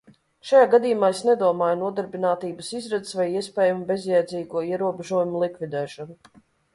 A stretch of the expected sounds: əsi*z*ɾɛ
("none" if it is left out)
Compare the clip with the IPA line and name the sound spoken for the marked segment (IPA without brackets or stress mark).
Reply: z